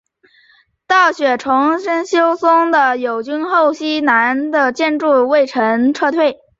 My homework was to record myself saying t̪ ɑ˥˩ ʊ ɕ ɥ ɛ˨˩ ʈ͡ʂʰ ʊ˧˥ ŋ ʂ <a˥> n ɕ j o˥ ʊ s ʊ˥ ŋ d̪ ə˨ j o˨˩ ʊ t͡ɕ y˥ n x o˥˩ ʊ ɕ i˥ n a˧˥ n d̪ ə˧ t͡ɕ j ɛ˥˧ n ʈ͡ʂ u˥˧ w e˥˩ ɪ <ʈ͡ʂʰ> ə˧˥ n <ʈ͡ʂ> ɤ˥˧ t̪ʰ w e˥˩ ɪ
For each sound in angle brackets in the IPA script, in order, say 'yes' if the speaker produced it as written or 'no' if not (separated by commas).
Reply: no, yes, no